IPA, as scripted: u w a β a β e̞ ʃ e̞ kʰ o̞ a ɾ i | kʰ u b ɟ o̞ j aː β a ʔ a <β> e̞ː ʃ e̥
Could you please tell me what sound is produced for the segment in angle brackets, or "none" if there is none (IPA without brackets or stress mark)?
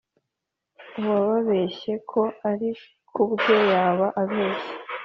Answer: β